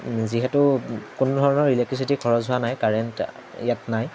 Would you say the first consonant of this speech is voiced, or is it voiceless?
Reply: voiced